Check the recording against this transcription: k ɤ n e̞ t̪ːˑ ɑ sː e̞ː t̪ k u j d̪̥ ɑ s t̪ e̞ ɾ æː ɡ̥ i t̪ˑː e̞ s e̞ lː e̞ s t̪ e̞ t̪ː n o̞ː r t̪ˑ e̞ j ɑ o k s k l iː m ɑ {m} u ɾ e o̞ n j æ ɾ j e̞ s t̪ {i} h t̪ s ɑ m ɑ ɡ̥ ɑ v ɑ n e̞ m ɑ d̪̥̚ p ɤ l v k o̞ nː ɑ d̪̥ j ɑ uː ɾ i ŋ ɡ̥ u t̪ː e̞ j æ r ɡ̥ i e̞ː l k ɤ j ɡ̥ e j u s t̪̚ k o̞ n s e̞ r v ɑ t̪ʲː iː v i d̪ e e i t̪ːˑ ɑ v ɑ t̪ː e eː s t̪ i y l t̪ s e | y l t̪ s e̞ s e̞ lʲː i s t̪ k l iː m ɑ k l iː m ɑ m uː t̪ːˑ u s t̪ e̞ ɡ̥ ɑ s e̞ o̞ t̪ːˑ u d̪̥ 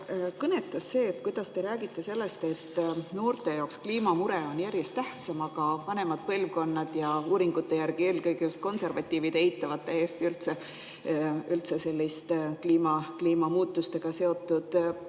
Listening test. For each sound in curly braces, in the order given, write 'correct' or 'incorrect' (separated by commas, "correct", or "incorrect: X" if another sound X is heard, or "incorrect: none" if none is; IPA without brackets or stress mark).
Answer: correct, incorrect: æ